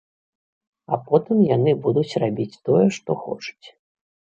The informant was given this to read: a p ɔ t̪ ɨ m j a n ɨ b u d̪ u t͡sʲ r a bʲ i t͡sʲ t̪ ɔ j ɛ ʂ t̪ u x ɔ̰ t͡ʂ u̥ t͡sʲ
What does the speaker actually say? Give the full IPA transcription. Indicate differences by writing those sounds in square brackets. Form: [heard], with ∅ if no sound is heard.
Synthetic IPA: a p ɔ t̪ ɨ m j a n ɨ b u d̪ u t͡sʲ r a bʲ i t͡sʲ t̪ ɔ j ɛ ʂ t̪ [ɔ] x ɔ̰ t͡ʂ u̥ t͡sʲ